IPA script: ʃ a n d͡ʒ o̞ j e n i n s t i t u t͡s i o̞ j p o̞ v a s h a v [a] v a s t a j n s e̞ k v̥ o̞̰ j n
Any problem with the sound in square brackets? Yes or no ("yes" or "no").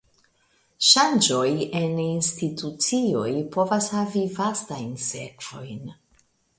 yes